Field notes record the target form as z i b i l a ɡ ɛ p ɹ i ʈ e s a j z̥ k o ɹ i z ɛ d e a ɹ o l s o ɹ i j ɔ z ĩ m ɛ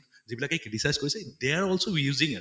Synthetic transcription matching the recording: z i b i l a k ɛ k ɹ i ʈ i s a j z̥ k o ɹ i s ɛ d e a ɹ ɔ l s o ɹ i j u z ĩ ŋ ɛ

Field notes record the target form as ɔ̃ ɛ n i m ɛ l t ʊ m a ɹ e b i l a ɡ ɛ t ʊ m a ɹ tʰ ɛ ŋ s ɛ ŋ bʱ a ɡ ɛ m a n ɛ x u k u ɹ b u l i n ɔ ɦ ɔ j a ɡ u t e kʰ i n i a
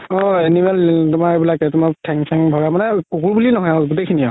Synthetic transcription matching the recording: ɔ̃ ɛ n i m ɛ l t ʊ m a ɹ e b i l a k ɛ t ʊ m a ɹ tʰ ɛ ŋ s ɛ ŋ bʱ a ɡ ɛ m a n ɛ k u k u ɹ b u l i n ɔ ɦ ɔ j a ɡ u t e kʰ i n i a

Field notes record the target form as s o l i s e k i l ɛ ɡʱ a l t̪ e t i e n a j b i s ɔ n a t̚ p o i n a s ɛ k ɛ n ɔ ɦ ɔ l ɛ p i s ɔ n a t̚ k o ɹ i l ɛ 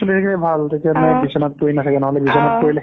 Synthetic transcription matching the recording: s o l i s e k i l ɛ bʱ a l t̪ e t i a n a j b i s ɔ n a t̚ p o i n a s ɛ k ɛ n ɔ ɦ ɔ l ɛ b i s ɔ n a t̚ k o ɹ i l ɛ

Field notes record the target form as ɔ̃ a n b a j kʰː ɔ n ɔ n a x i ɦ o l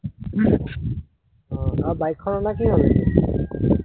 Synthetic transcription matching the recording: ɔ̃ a b a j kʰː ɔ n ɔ n a k i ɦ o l

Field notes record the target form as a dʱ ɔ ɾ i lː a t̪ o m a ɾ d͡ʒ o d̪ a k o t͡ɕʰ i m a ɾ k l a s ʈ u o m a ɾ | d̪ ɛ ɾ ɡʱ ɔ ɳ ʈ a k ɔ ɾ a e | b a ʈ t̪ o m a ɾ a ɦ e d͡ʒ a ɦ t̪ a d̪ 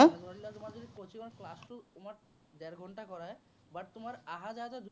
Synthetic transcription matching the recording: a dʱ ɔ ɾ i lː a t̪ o m a ɾ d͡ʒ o d̪ i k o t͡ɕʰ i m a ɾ k l a s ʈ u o m a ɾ | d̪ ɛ ɾ ɡʱ ɔ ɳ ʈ a k ɔ ɾ a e | b a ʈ t̪ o m a ɾ a ɦ a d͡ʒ a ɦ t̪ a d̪

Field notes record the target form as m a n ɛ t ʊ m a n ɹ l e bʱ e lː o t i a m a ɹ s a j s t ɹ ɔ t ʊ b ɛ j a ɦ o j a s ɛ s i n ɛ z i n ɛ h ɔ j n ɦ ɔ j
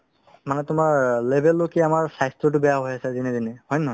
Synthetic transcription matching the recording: m a n ɛ t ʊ m a ɹ l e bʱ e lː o k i a m a ɹ s a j s t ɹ ɔ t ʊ b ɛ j a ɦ o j a s ɛ z i n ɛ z i n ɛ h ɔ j n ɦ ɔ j

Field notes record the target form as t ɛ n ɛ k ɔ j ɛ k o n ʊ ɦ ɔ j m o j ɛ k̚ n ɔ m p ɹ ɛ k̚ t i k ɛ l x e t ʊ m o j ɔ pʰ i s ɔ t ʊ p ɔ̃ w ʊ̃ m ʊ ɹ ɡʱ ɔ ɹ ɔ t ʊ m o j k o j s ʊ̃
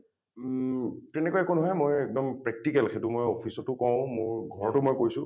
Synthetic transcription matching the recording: t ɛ n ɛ k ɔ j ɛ k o n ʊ ɦ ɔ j m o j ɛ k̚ d ɔ m p ɹ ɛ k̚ t i k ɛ l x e t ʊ m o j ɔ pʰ i s ɔ t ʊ k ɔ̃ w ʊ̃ m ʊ ɹ ɡʱ ɔ ɹ ɔ t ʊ m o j k o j s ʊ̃

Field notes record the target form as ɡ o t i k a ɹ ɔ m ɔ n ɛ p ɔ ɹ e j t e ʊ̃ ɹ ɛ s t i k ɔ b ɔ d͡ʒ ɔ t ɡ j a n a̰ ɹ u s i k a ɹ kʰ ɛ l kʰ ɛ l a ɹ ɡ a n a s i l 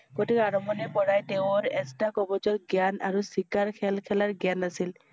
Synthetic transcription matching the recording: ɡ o t i k a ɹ ɔ m ɔ n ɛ p ɔ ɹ a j t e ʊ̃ ɹ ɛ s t a k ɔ b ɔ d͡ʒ ɔ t ɡ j a n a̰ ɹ u s i k a ɹ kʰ ɛ l kʰ ɛ l a ɹ ɡ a n a s i l

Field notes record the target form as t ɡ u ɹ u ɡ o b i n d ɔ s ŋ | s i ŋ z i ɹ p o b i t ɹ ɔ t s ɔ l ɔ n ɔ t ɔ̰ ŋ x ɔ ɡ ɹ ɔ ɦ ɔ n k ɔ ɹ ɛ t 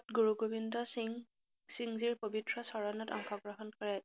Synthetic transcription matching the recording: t ɡ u ɹ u ɡ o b i n d ɔ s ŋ | s i ŋ z i ɹ p o b i t ɹ ɔ s ɔ ɹ ɔ n ɔ t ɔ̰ ŋ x ɔ ɡ ɹ ɔ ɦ ɔ n k ɔ ɹ ɛ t

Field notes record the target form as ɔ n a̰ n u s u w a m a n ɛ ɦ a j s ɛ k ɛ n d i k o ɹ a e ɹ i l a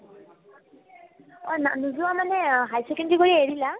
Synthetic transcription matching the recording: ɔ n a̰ n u z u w a m a n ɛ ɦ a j s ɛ k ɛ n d i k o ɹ i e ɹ i l a

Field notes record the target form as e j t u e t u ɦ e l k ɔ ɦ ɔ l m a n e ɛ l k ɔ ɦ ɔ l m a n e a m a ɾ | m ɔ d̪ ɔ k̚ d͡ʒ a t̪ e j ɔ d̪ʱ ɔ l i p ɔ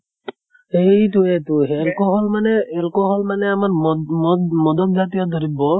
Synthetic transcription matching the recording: e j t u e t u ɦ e l k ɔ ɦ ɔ l m a n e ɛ l k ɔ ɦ ɔ l m a n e a m a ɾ | m ɔ d̪ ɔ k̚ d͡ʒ a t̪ i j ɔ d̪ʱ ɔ ɾ i b ɔ

